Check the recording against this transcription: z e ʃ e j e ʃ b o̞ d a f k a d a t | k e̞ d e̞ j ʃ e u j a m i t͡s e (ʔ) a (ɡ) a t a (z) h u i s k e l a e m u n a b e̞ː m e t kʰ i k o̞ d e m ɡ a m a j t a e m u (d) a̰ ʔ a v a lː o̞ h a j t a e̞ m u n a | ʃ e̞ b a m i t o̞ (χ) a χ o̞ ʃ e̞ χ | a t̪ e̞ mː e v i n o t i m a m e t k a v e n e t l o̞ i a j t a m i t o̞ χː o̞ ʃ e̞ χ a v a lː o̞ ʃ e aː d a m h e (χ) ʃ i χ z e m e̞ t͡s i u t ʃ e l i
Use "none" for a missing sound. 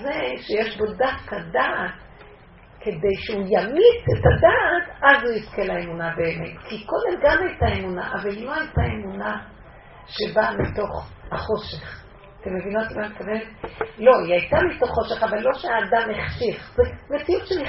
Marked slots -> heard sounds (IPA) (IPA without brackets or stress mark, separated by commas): t, d, z, n, χ, χ